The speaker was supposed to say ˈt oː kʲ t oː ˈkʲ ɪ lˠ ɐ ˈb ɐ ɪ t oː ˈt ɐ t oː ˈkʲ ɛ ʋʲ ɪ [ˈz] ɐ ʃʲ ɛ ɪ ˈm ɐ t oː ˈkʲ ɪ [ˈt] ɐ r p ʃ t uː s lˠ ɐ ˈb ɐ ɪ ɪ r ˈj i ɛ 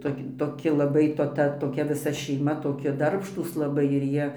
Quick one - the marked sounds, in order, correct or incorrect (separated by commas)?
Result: incorrect, incorrect